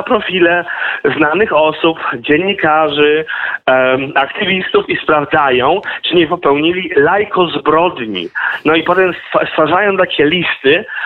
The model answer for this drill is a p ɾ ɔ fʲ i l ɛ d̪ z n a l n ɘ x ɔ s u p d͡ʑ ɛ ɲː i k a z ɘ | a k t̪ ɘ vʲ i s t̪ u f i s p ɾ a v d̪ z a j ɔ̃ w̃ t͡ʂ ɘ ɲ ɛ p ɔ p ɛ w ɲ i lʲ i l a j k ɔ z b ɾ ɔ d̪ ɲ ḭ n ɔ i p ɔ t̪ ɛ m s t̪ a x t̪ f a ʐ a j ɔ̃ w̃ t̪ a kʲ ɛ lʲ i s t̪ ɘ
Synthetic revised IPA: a p ɾ ɔ fʲ i l ɛ z n a n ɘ x ɔ s u p d͡ʑ ɛ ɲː i k a ʐ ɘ | a k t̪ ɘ vʲ i s t̪ u f i s p ɾ a v d̪ z a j ɔ̃ w̃ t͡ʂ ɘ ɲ ɛ p ɔ p ɛ w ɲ i lʲ i l a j k ɔ z b ɾ ɔ d̪ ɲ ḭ n ɔ i p ɔ t̪ ɛ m s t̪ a s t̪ f a ʐ a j ɔ̃ w̃ t̪ a kʲ ɛ lʲ i s t̪ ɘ